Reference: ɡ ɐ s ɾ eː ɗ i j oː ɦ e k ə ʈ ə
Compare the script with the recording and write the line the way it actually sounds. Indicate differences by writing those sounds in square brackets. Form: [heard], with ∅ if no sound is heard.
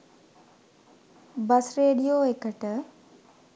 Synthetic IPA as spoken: [b] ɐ s ɾ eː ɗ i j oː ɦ e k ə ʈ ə